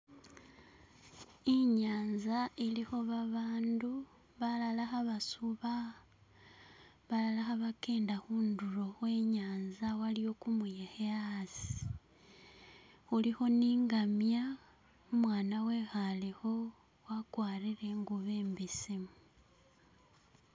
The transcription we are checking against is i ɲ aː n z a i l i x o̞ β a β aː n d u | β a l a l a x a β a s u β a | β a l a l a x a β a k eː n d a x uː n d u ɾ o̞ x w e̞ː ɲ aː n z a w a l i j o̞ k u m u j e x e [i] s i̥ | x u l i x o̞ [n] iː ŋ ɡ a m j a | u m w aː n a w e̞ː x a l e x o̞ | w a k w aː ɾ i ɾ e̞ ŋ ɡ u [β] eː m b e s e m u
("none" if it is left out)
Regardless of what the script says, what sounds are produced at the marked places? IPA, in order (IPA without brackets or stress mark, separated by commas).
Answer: a, n, β